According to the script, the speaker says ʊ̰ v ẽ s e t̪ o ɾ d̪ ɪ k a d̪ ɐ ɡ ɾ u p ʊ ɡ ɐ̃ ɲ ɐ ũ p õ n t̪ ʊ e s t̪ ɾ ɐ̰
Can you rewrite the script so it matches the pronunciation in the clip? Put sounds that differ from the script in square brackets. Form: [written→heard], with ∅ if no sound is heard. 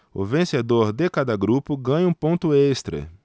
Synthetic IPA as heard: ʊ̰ v ẽ s e [t̪→d̪] o ɾ d̪ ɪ k a d̪ ɐ ɡ ɾ u p ʊ ɡ ɐ̃ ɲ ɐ ũ p õ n t̪ ʊ e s t̪ ɾ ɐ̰